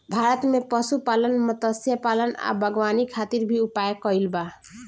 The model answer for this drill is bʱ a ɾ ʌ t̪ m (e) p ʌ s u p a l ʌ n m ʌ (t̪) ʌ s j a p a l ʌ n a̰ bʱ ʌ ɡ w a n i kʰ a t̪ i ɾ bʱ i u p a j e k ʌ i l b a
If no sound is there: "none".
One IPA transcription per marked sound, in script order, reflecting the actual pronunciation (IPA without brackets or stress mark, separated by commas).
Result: e, t̪